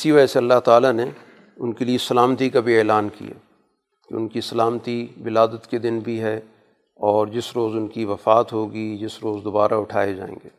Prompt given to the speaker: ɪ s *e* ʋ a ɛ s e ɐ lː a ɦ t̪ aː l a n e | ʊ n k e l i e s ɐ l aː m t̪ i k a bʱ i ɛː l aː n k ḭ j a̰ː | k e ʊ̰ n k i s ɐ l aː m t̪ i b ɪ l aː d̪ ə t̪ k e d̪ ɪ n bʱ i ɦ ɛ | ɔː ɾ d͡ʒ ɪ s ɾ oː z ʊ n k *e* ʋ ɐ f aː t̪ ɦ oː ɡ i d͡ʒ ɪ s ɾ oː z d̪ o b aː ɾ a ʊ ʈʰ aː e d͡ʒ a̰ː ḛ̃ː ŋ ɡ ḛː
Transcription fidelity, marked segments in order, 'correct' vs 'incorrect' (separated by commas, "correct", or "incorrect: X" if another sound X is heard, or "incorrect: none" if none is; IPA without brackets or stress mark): incorrect: i, incorrect: i